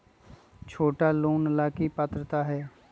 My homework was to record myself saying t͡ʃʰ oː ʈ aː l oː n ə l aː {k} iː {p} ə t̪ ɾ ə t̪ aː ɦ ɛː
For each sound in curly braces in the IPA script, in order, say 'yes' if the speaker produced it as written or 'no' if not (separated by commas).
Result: yes, yes